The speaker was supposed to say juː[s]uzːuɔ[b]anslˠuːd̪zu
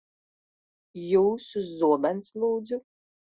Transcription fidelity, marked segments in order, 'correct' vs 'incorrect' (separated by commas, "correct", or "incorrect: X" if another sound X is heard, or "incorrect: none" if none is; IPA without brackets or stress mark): correct, correct